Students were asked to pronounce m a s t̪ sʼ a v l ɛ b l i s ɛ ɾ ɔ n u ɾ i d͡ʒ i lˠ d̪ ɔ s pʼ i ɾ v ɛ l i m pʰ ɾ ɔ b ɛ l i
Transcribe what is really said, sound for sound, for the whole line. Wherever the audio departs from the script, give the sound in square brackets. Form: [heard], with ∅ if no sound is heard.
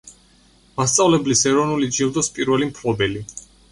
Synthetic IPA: m a s t̪ sʼ a v l ɛ b l i s ɛ ɾ ɔ n u [l] i d͡ʒ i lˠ d̪ ɔ s pʼ i ɾ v ɛ l i m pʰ [l] ɔ b ɛ l i